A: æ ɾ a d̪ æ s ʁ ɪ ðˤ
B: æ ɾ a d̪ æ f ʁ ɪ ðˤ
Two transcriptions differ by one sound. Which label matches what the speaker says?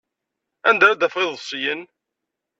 B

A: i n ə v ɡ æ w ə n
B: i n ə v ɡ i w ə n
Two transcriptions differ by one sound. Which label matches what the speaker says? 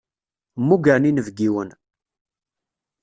B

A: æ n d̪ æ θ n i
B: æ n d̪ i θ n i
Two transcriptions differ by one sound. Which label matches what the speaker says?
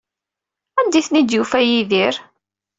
B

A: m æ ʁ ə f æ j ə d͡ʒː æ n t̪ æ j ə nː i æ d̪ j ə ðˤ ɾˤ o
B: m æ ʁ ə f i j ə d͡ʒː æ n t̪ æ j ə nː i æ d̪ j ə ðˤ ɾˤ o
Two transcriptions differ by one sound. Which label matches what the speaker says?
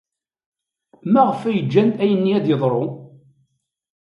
A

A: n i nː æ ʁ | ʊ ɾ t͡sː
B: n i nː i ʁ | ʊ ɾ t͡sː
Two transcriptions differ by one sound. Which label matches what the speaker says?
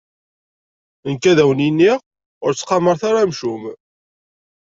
B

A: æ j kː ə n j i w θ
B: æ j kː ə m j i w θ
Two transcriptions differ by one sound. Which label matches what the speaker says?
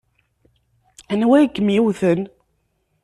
B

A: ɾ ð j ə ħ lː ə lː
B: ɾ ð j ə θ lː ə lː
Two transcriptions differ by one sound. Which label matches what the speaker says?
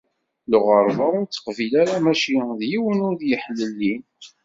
A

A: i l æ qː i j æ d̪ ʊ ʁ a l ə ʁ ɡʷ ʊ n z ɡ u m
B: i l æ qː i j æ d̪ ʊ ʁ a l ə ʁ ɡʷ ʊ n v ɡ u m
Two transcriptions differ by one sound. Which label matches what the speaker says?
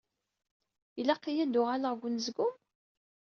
A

